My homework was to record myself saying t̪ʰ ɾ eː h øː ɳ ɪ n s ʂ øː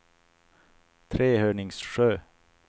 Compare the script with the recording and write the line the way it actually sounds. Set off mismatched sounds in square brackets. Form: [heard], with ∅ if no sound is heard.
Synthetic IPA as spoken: t̪ʰ ɾ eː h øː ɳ ɪ [ŋ] s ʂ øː